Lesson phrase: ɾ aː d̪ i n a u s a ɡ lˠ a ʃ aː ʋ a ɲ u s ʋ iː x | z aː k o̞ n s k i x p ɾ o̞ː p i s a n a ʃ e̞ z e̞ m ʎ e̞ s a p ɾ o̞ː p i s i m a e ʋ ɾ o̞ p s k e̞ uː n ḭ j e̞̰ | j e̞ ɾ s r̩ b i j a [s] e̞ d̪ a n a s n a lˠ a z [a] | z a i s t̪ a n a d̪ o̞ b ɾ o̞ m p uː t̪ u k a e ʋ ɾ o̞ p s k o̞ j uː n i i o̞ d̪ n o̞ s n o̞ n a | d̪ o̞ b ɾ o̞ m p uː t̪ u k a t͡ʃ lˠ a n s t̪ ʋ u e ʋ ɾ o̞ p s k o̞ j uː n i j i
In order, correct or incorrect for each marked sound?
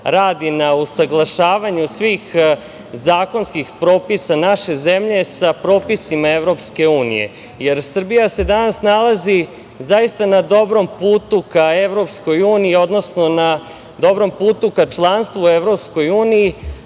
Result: correct, incorrect: i

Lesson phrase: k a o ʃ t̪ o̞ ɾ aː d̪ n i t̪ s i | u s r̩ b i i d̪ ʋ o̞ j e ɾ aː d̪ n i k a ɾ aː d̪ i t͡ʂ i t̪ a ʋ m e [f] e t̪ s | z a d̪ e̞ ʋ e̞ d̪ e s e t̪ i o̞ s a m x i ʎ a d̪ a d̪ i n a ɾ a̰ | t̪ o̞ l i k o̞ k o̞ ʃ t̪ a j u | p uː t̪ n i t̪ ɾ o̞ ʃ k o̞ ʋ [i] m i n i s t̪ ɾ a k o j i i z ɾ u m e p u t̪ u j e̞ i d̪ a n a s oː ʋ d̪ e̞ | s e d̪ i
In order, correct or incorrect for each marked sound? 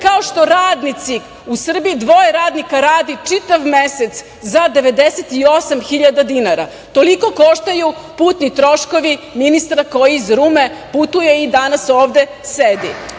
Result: incorrect: s, correct

